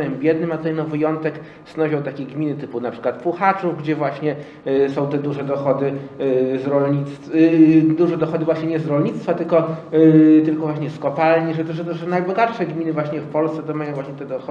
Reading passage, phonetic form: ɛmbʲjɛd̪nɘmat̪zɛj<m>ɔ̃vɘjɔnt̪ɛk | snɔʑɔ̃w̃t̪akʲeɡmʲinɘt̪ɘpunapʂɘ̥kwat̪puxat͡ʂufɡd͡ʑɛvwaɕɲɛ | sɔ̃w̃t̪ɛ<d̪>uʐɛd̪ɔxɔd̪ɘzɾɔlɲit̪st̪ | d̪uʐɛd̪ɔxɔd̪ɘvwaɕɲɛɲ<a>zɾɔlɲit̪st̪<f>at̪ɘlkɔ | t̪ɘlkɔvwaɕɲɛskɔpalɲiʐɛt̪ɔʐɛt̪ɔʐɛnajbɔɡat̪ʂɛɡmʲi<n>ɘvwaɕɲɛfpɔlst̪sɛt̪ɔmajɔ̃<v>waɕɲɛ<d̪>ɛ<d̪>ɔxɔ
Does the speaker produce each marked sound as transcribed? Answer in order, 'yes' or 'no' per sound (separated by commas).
no, yes, no, yes, yes, yes, no, yes